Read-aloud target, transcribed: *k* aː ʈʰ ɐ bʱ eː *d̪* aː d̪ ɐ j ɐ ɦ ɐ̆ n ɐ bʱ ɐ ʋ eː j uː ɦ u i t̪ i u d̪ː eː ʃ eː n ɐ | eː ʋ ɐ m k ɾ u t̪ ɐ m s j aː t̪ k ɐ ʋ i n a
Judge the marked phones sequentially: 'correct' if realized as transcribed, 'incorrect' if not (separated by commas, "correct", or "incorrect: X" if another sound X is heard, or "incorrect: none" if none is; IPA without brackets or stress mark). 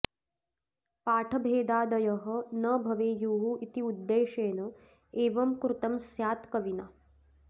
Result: incorrect: p, correct